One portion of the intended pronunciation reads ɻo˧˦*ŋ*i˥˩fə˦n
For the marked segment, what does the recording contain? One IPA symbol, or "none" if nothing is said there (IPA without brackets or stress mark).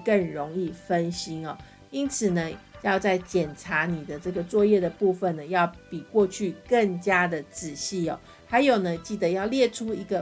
ŋ